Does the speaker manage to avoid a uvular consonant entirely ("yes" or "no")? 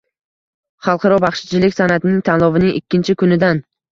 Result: no